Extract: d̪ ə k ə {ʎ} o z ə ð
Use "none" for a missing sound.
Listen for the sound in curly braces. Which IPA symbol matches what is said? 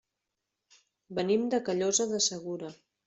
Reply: ʎ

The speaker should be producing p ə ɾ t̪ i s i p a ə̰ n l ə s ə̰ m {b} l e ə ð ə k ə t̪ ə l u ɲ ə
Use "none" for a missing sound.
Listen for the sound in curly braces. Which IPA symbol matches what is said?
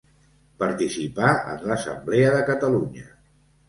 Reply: b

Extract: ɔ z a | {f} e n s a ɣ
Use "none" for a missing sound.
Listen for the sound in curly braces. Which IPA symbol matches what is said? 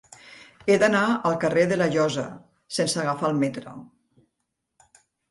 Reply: s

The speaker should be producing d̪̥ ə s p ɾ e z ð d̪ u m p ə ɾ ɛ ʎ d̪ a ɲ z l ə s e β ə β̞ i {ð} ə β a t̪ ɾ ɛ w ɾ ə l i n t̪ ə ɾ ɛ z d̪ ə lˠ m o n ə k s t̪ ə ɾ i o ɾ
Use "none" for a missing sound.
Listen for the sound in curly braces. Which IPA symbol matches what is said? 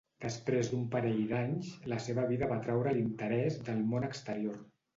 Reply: ð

